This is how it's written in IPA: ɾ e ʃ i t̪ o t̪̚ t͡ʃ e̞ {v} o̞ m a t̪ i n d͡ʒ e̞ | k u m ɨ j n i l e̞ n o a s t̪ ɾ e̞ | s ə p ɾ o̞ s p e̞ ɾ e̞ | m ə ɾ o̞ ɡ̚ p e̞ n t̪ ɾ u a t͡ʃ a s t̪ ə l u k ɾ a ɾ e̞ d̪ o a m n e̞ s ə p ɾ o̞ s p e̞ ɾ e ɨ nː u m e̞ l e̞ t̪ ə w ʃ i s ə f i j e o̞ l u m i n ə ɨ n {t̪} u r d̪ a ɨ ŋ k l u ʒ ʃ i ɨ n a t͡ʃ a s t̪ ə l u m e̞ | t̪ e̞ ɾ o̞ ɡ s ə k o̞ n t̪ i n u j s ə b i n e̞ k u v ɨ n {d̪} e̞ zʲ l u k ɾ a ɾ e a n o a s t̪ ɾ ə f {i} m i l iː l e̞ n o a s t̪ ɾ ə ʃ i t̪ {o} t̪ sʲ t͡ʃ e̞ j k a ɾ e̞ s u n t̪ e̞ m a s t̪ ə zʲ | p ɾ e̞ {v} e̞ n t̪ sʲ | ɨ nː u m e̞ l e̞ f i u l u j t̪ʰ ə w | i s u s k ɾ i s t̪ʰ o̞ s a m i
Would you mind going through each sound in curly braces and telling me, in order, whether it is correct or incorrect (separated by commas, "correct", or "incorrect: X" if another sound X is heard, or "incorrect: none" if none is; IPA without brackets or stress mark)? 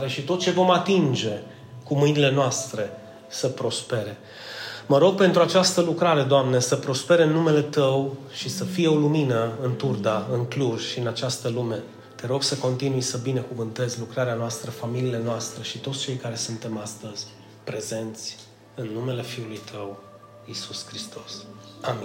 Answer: correct, correct, incorrect: t̪, incorrect: a, correct, incorrect: z